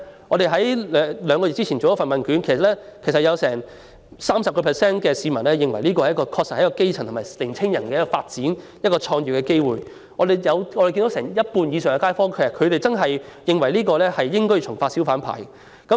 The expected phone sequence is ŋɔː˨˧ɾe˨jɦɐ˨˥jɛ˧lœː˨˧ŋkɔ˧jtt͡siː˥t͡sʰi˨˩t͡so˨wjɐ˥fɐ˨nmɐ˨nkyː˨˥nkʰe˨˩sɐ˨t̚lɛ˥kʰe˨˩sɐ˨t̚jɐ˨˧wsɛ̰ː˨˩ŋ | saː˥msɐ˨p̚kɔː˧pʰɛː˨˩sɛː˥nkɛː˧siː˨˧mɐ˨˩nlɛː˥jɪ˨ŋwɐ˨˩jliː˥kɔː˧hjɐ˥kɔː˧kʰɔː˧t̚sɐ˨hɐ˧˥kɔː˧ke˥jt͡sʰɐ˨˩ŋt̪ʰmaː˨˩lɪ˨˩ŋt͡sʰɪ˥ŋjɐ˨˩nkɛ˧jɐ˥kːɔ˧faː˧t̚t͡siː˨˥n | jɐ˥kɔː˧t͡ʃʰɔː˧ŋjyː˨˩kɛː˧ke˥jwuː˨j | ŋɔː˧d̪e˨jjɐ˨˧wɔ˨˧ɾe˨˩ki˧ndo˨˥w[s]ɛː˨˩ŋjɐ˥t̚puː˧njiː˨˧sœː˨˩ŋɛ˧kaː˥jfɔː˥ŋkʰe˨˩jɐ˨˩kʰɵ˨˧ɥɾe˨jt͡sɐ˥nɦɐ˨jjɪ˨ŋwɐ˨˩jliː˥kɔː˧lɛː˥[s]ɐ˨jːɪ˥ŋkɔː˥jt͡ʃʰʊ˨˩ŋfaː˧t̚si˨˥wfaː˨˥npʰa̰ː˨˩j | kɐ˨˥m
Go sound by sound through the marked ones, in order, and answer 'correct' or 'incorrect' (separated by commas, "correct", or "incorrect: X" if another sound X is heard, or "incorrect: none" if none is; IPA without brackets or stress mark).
correct, incorrect: h